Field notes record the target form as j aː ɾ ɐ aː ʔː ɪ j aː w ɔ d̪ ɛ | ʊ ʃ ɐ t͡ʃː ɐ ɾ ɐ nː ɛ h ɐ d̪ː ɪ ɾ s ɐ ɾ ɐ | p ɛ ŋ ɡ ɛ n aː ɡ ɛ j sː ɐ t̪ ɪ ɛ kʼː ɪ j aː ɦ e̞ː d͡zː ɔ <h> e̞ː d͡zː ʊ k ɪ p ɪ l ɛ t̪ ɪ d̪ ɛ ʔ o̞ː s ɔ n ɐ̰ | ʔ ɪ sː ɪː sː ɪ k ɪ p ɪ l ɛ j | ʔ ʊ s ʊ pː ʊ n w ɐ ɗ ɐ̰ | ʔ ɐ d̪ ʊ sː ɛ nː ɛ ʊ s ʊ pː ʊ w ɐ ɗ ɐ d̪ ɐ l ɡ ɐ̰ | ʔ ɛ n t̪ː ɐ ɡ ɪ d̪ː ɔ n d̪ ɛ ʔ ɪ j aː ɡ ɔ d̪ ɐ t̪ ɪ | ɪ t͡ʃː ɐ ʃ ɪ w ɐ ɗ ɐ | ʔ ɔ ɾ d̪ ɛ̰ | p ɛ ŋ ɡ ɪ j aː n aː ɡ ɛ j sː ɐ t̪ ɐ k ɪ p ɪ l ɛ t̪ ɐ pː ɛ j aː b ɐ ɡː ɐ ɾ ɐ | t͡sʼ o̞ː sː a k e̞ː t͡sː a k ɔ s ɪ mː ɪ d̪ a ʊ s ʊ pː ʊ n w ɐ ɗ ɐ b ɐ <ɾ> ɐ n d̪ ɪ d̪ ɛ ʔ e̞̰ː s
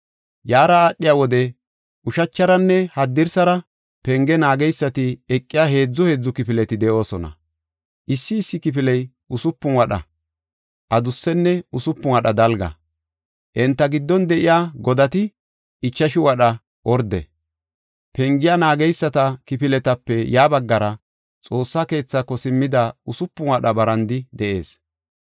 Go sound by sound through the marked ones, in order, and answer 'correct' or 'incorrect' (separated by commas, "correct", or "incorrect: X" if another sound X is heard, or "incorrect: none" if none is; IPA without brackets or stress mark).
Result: correct, correct